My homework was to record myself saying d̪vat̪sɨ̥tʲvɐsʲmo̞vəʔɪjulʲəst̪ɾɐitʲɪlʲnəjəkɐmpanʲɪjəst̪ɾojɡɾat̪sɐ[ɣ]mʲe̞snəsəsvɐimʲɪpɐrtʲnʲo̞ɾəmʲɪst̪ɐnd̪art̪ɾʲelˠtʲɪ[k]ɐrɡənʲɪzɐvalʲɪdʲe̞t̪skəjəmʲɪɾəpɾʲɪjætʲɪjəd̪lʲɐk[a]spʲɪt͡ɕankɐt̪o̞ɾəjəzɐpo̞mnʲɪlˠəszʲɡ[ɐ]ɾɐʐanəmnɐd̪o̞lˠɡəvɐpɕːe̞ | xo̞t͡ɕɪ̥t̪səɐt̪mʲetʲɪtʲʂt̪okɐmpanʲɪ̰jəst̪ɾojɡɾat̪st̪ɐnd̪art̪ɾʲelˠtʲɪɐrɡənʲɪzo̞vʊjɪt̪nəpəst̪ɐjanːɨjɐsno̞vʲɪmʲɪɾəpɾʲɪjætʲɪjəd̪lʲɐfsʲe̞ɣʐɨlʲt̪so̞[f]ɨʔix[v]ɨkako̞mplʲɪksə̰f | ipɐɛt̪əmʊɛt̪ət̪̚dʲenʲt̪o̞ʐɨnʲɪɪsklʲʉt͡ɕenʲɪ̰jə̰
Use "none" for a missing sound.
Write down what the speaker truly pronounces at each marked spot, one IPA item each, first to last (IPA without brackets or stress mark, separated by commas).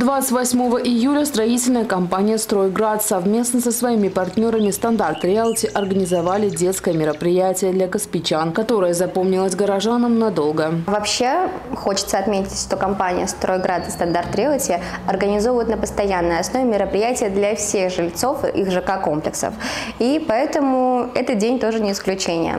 v, ʔ, ə, ə, f, ʐ